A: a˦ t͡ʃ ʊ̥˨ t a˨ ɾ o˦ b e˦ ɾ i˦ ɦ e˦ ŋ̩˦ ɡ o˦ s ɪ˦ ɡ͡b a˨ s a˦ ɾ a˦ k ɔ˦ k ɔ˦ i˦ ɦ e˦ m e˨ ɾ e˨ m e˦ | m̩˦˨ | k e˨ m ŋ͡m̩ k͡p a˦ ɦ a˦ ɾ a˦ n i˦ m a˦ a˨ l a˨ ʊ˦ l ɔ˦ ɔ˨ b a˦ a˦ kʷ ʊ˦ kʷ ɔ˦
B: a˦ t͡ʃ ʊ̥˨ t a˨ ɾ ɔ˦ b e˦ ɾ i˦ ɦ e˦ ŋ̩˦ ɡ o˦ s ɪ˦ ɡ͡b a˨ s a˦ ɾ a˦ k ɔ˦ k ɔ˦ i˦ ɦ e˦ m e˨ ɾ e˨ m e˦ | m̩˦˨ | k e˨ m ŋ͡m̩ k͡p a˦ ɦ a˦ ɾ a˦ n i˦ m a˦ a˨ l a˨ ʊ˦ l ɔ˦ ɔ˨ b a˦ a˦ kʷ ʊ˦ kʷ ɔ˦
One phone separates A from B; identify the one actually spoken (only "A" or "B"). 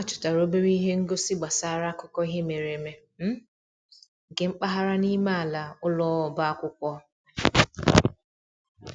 A